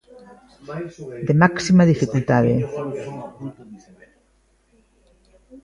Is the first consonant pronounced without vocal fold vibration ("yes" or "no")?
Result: no